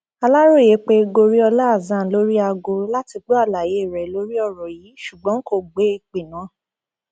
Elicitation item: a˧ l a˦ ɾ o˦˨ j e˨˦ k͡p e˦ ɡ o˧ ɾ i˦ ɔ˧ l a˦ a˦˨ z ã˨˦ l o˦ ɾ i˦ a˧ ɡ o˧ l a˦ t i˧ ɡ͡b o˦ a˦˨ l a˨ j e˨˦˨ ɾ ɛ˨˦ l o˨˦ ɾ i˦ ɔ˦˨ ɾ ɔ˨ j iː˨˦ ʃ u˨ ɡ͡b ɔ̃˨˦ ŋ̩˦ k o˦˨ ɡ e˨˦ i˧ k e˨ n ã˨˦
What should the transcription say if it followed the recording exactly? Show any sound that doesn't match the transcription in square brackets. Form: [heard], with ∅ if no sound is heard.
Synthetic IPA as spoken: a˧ l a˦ ɾ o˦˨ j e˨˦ k͡p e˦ ɡ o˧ ɾ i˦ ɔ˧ l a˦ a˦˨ z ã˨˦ l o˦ ɾ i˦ a˧ ɡ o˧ l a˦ t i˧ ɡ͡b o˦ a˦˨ l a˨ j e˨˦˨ ɾ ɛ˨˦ l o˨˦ ɾ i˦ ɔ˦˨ ɾ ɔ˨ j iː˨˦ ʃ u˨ ɡ͡b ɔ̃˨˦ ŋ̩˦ k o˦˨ [ɡ͡b] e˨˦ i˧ [k͡p] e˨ n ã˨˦